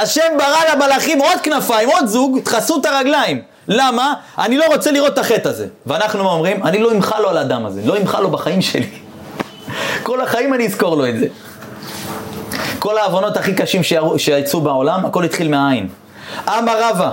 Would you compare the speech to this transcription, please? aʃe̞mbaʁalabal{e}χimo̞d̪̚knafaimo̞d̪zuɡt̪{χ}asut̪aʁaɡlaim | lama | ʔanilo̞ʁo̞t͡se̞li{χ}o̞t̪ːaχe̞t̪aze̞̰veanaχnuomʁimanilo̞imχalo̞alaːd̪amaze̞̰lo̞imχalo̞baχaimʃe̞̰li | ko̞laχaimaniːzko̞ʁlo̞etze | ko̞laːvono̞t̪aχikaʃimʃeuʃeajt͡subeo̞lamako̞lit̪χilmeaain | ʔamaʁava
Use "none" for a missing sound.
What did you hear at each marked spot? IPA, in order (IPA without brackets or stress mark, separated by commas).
a, χ, ʁ